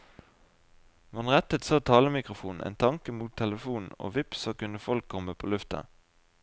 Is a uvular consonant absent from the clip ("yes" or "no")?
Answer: no